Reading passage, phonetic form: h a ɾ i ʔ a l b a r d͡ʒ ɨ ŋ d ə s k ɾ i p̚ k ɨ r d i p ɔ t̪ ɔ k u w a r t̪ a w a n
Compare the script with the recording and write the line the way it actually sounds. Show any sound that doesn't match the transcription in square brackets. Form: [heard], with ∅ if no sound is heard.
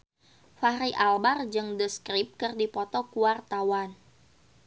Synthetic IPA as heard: [f] a ɾ i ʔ a l b a r d͡ʒ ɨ ŋ d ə s k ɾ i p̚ k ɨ r d i p ɔ t̪ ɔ k u w a r t̪ a w a n